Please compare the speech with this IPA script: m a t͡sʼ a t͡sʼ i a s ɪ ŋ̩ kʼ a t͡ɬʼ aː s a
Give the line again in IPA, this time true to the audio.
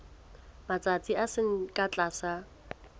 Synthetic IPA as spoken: m a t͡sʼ a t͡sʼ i a s ɪ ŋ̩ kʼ a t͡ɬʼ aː s a

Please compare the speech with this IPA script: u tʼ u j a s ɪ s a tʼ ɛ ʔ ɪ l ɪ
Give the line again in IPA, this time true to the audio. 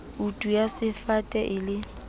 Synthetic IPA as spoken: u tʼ u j a s ɪ f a tʼ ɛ ʔ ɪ l ɪ

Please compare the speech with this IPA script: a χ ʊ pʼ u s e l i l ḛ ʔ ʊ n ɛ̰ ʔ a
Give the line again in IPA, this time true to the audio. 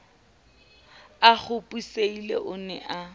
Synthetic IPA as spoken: a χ ʊ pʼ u s e i l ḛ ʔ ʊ n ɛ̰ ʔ a

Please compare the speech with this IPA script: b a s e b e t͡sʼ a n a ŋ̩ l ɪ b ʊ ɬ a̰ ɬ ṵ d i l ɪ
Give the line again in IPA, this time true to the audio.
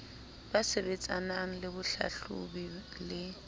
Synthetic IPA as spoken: b a s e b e t͡sʼ a n a ŋ̩ l ɪ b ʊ ɬ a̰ ɬ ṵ b i l ɪ

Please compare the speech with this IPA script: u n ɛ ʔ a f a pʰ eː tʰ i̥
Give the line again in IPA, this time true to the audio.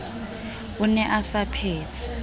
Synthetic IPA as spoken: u n ɛ ʔ a s a pʰ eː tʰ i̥

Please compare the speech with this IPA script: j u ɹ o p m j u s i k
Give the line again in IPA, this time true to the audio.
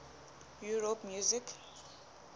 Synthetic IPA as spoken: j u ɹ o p m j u z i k

